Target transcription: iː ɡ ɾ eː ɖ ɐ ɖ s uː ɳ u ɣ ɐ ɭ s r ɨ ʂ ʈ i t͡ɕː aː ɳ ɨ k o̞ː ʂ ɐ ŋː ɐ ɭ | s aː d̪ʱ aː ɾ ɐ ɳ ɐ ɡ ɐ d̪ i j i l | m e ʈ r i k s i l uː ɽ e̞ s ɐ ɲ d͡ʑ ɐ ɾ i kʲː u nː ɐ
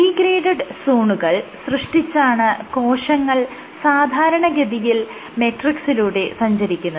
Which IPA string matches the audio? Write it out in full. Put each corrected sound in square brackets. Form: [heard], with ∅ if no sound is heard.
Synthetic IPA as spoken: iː ɡ ɾ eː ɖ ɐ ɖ s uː ɳ u ɣ ɐ ɭ s r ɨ ʂ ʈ i t͡ɕː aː ɳ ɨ k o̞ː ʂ ɐ ŋː ɐ ɭ | s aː d̪ʱ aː ɾ ɐ ɳ ɐ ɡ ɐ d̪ i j i l | m e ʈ r i k s i l uː ɽ e̞ s ɐ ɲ d͡ʑ ɐ ɾ i kʲː u nː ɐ